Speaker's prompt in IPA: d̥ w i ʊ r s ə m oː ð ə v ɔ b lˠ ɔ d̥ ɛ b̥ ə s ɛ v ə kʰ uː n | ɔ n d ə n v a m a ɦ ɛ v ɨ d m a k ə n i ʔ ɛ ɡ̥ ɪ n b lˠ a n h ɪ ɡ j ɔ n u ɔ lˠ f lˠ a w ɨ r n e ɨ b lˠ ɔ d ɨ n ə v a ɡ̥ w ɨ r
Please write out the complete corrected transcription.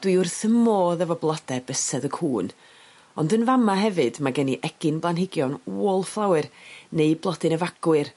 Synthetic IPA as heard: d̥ w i ʊ r θ ə m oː ð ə v ɔ b lˠ ɔ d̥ ɛ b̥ ə s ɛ ð ə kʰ uː n | ɔ n d ə n v a m a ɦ ɛ v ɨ d m a ɡ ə n i ʔ ɛ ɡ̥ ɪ n b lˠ a n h ɪ ɡ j ɔ n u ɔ lˠ f lˠ a w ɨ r n e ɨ b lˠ ɔ d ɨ n ə v a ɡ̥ w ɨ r